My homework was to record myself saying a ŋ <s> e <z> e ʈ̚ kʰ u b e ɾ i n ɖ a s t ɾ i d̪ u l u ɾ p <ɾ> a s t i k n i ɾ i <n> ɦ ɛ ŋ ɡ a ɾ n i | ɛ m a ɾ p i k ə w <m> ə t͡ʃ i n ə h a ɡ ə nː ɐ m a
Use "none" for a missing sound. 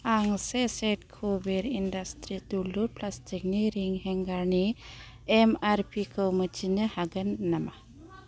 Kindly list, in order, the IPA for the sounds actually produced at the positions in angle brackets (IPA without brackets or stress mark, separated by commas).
s, s, l, ŋ, m